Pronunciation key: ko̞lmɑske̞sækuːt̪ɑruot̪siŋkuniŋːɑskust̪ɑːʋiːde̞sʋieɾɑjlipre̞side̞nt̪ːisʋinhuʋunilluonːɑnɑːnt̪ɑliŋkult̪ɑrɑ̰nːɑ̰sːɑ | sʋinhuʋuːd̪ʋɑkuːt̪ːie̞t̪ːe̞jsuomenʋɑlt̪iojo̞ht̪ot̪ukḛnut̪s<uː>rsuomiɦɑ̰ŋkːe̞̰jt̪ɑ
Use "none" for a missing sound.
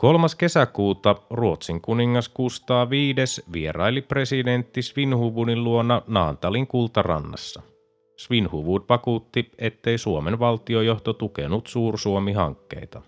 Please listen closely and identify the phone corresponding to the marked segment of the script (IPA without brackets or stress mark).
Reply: uː